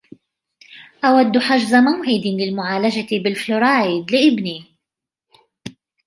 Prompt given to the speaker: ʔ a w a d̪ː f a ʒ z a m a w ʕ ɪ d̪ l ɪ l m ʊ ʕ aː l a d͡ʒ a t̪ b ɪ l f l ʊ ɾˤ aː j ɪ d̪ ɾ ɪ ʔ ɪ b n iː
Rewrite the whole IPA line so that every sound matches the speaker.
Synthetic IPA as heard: ʔ a w a d̪ː ħ a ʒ z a m a w ʕ ɪ d̪ l ɪ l m ʊ ʕ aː l a d͡ʒ a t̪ b ɪ l f l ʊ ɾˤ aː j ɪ d̪ l ɪ ʔ ɪ b n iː